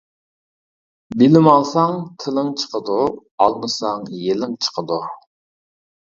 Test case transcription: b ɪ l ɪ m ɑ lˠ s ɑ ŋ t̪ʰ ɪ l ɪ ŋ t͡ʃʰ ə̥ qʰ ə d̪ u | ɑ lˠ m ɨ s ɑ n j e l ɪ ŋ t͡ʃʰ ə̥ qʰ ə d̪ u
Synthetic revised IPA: b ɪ l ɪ m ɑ lˠ s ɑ ŋ t̪ʰ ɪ l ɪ ŋ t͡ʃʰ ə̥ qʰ ə d̪ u | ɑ lˠ m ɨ s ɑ ŋ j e l ɪ ŋ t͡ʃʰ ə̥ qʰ ə d̪ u